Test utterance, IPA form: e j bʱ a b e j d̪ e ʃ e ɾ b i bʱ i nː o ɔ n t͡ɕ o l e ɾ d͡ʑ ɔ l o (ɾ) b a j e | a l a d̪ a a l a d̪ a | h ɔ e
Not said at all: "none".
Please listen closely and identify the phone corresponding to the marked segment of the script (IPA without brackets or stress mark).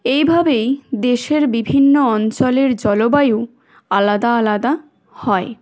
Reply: none